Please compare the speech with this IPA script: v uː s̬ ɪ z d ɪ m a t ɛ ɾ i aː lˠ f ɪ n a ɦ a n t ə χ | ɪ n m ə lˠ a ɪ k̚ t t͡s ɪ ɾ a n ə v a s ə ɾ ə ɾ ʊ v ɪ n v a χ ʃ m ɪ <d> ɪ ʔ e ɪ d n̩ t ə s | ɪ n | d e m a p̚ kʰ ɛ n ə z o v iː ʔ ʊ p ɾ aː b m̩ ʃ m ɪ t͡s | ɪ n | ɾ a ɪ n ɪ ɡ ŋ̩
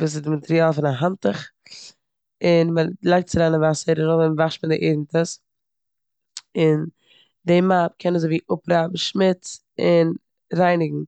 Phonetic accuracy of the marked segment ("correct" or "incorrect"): correct